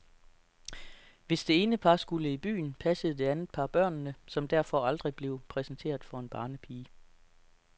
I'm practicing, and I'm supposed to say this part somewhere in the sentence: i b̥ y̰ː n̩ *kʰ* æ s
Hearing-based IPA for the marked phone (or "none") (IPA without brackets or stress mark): pʰ